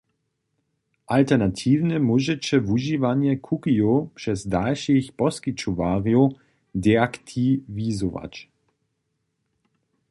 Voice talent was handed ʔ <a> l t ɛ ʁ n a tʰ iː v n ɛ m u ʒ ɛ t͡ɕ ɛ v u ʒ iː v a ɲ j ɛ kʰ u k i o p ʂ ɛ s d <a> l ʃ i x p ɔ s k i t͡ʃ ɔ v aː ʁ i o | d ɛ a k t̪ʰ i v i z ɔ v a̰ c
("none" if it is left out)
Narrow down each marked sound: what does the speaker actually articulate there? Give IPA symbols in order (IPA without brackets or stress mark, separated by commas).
a, a